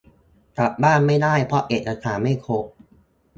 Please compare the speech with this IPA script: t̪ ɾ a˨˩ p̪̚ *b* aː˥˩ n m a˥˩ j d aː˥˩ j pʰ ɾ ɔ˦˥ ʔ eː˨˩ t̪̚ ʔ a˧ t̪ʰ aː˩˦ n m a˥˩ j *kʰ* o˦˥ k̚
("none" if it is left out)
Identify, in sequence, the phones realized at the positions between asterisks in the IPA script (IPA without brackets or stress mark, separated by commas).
b, kʰ